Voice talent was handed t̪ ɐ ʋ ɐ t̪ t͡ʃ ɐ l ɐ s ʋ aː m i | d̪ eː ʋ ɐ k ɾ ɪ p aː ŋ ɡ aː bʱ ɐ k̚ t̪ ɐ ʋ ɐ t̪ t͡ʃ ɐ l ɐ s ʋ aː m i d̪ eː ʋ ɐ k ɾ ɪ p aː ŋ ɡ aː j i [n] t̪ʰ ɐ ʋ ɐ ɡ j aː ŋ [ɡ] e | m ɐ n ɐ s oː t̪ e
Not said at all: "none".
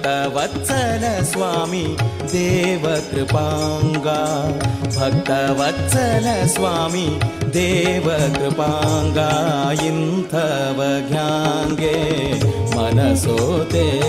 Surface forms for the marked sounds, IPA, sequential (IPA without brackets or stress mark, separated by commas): n, ɡ